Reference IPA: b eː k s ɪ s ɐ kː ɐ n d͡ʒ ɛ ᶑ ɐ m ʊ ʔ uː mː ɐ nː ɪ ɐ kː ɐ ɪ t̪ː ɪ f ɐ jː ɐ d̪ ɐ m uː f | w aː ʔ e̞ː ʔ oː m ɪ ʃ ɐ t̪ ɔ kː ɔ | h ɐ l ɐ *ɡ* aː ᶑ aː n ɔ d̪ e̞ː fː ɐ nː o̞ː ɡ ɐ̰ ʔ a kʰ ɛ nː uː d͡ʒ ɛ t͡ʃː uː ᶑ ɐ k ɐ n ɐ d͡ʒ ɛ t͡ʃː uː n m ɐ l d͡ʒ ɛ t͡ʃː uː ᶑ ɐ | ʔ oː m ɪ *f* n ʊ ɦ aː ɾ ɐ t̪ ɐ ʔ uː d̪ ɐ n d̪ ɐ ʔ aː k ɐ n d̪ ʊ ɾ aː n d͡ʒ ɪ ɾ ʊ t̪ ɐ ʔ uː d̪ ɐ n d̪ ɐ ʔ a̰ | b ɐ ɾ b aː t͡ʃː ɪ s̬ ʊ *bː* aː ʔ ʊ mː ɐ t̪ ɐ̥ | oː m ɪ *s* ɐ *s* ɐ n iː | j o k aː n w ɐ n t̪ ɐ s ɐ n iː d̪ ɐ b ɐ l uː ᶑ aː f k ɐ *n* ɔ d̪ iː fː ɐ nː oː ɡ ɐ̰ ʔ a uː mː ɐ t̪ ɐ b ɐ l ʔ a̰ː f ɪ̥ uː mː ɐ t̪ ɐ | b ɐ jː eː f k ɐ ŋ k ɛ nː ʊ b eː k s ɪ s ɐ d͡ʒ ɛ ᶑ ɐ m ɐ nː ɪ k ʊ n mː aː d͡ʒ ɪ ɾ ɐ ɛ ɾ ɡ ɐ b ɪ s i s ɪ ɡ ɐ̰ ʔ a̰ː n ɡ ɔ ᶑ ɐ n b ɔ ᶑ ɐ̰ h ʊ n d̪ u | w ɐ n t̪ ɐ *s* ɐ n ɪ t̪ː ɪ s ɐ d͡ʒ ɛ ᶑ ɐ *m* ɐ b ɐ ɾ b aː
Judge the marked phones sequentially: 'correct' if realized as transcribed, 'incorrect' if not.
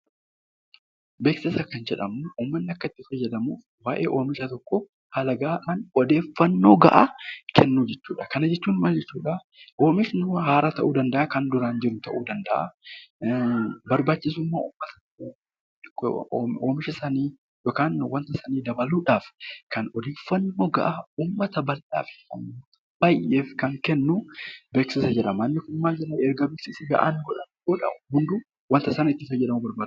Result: correct, incorrect, incorrect, incorrect, correct, correct, correct, correct

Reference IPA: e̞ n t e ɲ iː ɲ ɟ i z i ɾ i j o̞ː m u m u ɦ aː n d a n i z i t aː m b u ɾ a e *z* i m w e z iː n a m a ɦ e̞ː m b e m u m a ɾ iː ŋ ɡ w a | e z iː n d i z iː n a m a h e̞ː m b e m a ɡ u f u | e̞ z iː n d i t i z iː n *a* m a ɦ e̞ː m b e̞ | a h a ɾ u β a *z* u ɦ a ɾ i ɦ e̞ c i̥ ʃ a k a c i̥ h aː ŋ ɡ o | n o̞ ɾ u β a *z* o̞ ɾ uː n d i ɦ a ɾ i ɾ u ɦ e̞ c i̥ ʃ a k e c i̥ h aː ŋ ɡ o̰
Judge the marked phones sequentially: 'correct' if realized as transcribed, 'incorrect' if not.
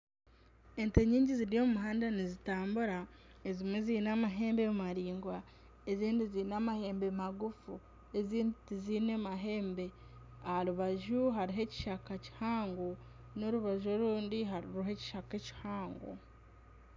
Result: correct, incorrect, incorrect, incorrect

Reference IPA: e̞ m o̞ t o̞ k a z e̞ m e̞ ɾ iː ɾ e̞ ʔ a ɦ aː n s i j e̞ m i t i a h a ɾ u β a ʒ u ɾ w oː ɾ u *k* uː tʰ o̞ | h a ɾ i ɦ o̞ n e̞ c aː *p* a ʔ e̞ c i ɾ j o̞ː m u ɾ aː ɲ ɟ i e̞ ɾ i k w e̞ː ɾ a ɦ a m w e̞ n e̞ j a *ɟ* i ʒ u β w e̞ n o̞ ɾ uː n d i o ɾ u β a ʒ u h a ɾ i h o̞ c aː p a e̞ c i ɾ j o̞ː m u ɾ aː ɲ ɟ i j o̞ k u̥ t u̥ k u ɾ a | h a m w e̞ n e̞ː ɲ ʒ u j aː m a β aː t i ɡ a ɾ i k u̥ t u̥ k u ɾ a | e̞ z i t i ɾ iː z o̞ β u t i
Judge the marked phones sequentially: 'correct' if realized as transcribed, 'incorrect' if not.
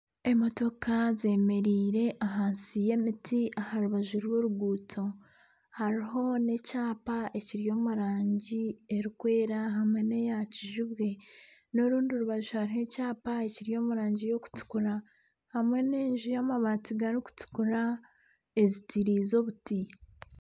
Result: incorrect, correct, incorrect

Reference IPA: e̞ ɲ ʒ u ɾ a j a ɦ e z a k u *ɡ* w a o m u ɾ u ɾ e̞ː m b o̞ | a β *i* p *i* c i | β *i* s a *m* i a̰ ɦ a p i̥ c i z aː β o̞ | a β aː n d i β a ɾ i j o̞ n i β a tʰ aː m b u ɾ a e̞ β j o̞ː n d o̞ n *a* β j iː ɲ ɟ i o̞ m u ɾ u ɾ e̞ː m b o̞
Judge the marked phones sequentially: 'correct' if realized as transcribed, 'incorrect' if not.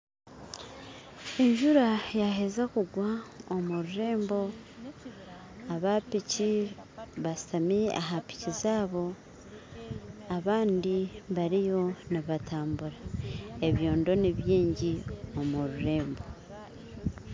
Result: correct, incorrect, correct, incorrect, correct, incorrect

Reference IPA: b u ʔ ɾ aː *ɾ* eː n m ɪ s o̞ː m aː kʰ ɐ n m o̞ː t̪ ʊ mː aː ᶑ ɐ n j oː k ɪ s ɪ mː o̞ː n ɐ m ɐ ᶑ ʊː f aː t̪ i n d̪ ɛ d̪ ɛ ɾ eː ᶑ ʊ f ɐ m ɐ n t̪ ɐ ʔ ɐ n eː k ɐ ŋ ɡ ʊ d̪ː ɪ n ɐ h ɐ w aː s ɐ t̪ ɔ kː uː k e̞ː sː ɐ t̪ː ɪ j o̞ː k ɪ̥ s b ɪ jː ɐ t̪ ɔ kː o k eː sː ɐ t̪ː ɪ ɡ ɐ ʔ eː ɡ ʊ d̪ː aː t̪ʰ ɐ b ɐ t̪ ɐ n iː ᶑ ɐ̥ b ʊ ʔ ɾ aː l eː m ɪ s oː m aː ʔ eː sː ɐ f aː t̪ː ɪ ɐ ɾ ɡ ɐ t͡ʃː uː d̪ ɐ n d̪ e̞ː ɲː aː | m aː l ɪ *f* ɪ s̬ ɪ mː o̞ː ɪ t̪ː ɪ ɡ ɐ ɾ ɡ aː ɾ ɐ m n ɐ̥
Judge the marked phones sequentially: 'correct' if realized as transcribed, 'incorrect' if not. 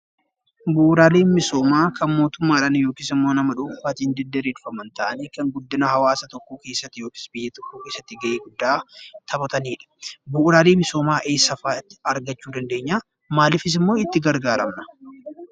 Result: incorrect, correct

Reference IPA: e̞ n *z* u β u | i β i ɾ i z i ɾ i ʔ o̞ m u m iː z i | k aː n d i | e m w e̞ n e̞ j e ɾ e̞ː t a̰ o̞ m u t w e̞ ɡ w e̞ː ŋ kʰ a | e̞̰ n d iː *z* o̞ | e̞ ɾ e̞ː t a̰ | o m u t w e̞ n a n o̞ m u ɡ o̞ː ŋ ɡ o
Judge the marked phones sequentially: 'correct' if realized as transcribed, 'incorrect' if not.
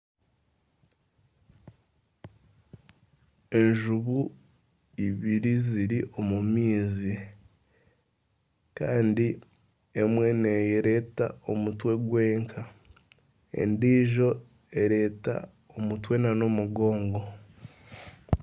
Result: incorrect, incorrect

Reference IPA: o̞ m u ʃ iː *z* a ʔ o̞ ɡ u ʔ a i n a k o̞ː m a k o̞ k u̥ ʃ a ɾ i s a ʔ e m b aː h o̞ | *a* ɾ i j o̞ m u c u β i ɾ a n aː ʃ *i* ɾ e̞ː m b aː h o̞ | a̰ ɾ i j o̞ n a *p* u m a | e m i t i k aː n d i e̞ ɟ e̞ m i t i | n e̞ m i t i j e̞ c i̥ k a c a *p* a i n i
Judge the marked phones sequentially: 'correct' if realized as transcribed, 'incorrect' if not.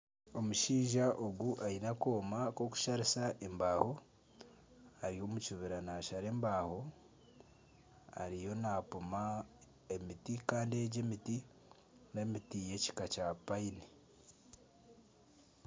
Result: incorrect, correct, incorrect, correct, correct

